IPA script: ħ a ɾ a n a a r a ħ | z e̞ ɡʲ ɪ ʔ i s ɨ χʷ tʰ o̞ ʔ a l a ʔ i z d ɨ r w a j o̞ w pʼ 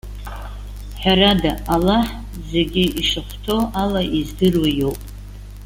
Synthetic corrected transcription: ħ a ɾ a d a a l a ħ | z e̞ ɡʲ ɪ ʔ i ʂ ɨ χʷ tʰ o̞ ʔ a l a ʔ i z d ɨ r w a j o̞ w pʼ

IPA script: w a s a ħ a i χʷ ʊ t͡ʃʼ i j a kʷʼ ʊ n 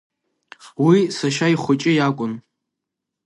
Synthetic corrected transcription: w i s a ʃ a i χʷ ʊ t͡ʃʼ ɪ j a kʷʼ ʊ n

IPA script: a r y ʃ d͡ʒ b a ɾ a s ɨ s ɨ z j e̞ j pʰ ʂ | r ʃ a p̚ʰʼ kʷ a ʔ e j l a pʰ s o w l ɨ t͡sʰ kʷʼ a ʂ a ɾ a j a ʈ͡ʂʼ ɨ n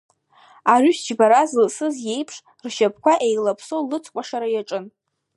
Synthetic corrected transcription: a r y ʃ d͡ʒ b a ɾ a z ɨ s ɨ z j e̞ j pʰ ʂ | r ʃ a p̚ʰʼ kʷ a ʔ e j l a pʰ s o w l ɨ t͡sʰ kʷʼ a ʂ a ɾ a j a ʈ͡ʂʼ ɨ n

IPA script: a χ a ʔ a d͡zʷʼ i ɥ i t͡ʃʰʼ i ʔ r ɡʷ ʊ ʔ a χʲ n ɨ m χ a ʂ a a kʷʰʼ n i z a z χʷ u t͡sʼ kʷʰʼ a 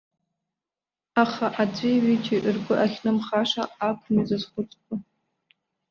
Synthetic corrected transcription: a χ a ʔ a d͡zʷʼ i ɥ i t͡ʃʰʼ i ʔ r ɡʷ ʊ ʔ a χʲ n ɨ m χ a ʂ a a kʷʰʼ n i z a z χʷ ʊ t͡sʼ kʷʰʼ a

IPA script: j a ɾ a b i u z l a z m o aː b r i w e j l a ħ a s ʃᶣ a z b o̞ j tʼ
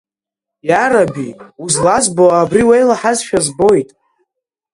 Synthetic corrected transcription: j a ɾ a b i u z l a z b o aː b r i w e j l a ħ a z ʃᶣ a z b o̞ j tʼ

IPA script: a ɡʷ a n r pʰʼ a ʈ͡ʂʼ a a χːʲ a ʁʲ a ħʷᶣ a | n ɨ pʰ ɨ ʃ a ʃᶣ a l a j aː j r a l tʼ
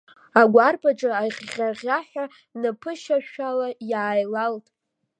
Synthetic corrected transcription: a ɡʷ a r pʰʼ a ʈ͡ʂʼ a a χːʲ a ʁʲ a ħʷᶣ a | n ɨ pʰ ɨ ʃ a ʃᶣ a l a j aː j l a l tʼ

